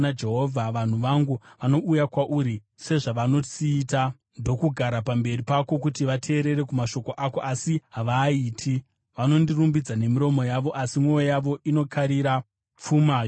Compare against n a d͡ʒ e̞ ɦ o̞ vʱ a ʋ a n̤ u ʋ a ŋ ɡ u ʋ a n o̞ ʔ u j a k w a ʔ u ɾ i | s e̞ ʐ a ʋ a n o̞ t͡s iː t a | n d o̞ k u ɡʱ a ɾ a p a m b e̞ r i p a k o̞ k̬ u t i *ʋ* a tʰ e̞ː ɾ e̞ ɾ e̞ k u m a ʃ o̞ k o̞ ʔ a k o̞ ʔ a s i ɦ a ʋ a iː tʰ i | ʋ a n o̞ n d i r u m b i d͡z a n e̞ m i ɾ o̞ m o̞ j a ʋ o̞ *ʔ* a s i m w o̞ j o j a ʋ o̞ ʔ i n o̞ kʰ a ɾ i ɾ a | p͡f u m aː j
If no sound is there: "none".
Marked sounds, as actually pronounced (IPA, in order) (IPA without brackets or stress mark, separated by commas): ʋ, ʔ